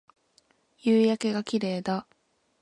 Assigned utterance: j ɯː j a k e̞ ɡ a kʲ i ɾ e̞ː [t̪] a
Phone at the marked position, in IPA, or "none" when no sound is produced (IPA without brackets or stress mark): d̪